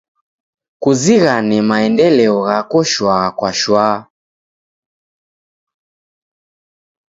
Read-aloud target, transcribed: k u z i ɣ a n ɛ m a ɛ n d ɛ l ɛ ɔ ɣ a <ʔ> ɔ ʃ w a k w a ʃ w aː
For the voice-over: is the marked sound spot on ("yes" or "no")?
no